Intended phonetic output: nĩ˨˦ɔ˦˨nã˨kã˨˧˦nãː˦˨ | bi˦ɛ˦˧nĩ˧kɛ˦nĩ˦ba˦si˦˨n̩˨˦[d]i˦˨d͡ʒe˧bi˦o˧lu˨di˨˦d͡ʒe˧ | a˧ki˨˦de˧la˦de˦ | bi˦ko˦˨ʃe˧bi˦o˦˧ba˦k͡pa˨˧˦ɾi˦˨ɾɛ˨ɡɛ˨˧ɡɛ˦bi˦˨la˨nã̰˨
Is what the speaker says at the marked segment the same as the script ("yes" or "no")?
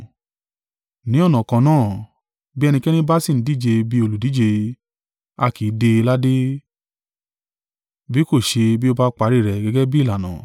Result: yes